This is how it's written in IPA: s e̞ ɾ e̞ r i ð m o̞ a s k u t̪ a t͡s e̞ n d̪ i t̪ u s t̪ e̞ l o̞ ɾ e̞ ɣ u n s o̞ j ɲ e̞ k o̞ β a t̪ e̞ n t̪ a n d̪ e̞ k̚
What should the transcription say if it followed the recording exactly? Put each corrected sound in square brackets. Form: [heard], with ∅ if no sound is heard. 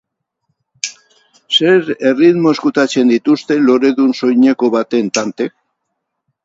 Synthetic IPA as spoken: s e̞ ɾ e̞ r i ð m o̞ [e] s k u t̪ a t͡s e̞ n d̪ i t̪ u s t̪ e̞ l o̞ ɾ e̞ [ð] u n s o̞ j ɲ e̞ k o̞ β a t̪ e̞ n t̪ a n [t̪] e̞ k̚

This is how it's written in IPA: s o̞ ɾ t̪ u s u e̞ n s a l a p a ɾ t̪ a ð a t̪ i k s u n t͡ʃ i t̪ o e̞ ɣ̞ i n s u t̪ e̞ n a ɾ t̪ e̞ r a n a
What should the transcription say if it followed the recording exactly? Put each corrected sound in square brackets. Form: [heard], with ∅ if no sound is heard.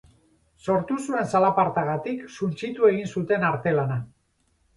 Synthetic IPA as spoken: s o̞ ɾ t̪ u s u e̞ n s a l a p a ɾ t̪ a [ɣ] a t̪ i k s u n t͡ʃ i t̪ [u] e̞ ɣ̞ i n s u t̪ e̞ n a ɾ t̪ e̞ [l] a n a

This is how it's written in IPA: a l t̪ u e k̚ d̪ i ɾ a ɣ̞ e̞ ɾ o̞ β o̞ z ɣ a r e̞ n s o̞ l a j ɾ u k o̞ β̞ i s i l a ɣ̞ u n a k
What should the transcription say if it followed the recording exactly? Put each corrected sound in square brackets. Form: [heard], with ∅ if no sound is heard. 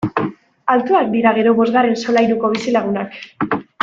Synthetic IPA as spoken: a l t̪ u [a] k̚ d̪ i ɾ a ɣ̞ e̞ ɾ o̞ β o̞ z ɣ a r e̞ n s o̞ l a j ɾ u k o̞ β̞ i s i l a ɣ̞ u n a k

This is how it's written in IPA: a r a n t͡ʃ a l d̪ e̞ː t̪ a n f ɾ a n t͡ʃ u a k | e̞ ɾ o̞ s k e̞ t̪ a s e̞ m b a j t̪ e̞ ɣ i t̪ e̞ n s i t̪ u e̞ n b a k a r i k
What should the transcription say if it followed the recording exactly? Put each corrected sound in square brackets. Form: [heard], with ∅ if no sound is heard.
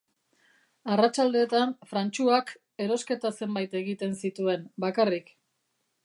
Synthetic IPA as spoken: a r a [∅] t͡ʃ a l d̪ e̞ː t̪ a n f ɾ a n t͡ʃ u a k | e̞ ɾ o̞ s k e̞ t̪ a s e̞ m b a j t̪ e̞ ɣ i t̪ e̞ n s i t̪ u e̞ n b a k a r i k

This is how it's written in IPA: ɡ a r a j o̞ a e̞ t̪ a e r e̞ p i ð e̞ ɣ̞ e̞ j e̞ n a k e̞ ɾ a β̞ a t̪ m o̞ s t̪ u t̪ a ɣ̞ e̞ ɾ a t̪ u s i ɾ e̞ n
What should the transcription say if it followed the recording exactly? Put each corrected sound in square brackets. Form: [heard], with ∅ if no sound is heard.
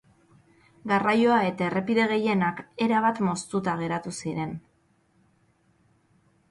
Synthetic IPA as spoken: ɡ a r a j o̞ a e̞ t̪ a e r e̞ p i ð e̞ ɣ̞ e̞ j e̞ n a k e̞ ɾ a β̞ a t̪ m o̞ s t̪ u t̪ a ɣ̞ e̞ ɾ a t̪ u s i ɾ e̞ n

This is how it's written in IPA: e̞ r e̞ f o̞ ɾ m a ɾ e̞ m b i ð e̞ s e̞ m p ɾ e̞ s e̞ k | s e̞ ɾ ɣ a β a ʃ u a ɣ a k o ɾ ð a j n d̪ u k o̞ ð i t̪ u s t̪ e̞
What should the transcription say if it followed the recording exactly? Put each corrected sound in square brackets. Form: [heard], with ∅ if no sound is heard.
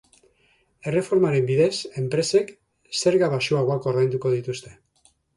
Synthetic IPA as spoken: e̞ r e̞ f o̞ ɾ m a ɾ e̞ m b i ð e̞ s e̞ m p ɾ e̞ s e̞ k | s e̞ ɾ ɣ a β a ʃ u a ɣ a k o ɾ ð a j n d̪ u k o̞ ð i t̪ u s t̪ e̞

